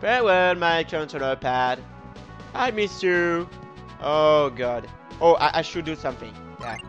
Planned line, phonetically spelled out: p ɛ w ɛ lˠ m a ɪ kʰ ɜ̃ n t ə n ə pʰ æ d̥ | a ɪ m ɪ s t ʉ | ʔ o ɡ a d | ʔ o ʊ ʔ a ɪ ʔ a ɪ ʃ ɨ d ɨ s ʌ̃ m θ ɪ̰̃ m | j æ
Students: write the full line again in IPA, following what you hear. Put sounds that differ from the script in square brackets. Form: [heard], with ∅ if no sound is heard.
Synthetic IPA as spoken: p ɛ w ɛ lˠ m a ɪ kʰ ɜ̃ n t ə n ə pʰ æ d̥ | a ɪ m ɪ s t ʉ | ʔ o ɡ [ɑ] d | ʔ o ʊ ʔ a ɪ ʔ a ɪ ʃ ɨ d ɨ s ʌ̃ m θ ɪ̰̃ [ŋ] | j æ